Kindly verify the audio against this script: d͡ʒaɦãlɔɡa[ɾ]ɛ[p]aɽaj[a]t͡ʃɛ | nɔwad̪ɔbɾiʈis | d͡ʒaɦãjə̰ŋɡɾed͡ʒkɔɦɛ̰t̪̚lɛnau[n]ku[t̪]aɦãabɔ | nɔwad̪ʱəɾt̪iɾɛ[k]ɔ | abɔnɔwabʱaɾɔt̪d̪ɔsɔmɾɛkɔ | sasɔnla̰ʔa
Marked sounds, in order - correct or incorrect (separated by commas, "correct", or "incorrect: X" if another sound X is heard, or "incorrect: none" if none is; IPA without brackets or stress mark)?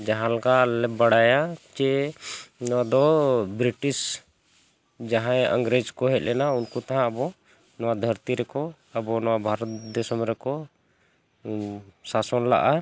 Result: incorrect: l, incorrect: b, correct, correct, correct, correct